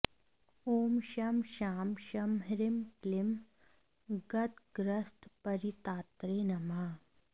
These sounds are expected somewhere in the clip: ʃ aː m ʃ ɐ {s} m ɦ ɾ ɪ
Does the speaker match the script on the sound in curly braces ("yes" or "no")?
no